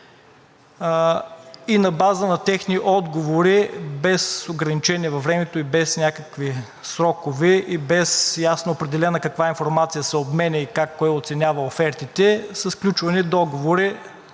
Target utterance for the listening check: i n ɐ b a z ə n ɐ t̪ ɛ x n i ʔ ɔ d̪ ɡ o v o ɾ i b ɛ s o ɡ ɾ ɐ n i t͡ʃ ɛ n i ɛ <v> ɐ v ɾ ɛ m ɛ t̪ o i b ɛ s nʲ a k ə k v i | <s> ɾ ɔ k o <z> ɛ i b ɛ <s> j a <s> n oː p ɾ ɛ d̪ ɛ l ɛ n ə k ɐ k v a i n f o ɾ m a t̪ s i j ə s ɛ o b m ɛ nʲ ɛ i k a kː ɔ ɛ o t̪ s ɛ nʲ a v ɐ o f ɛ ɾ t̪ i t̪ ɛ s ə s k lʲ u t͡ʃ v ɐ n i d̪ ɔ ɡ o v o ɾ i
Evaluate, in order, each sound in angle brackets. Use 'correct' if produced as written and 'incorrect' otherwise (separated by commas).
correct, correct, incorrect, correct, correct